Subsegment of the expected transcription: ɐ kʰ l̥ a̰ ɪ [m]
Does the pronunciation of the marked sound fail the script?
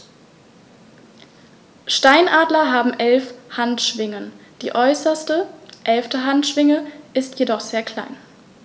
yes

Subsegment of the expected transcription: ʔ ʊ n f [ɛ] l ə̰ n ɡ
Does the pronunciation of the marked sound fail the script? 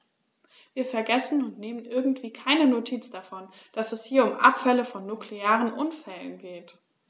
no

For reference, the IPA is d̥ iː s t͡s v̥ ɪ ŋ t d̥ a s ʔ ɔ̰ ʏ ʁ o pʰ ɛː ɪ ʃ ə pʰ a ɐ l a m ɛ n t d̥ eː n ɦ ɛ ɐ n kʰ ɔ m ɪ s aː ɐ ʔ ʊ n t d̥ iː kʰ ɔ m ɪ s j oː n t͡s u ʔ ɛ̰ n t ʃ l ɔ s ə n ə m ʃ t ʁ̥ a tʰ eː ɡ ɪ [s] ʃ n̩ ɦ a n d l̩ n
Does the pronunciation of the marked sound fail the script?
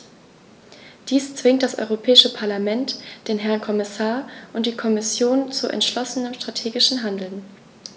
yes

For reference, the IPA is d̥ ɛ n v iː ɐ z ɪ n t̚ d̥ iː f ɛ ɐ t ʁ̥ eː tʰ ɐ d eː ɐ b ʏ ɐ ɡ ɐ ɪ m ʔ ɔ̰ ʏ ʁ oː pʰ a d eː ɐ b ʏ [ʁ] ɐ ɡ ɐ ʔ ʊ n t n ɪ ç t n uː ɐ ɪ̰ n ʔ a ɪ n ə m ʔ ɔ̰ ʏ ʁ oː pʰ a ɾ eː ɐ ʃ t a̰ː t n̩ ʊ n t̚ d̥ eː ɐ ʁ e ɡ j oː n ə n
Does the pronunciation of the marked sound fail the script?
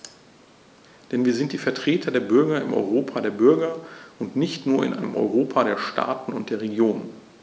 yes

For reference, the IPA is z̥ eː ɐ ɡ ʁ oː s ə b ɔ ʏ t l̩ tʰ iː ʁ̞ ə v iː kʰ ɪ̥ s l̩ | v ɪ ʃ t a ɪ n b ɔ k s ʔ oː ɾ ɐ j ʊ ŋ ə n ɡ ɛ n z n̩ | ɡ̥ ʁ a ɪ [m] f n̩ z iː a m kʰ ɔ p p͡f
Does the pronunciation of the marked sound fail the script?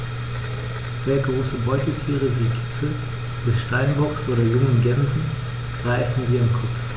yes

